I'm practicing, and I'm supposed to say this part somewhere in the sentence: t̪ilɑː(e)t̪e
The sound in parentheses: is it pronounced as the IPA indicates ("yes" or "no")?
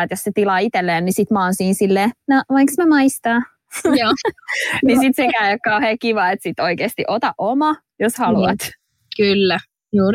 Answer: no